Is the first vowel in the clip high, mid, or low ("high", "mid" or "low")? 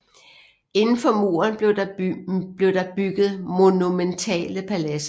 mid